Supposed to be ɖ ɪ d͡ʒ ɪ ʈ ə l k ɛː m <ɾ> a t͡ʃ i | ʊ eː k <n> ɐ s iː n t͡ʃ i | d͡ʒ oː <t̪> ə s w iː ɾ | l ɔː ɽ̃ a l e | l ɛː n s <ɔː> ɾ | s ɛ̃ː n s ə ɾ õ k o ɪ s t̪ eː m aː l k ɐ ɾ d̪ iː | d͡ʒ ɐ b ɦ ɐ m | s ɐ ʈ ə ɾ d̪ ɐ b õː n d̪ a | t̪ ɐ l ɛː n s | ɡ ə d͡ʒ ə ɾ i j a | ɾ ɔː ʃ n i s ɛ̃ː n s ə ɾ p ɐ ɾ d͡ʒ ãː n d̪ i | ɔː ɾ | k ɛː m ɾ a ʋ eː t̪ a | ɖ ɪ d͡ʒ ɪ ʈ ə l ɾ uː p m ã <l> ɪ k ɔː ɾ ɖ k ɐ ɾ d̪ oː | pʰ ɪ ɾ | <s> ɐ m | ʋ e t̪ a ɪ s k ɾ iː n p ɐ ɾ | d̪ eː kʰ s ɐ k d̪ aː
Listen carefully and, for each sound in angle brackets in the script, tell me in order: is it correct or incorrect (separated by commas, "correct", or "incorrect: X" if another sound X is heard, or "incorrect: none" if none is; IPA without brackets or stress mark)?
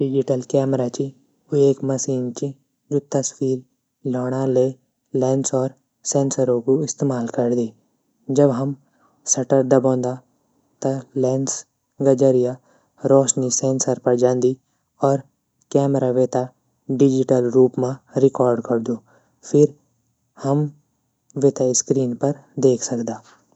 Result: correct, incorrect: m, correct, correct, incorrect: ɾ, incorrect: h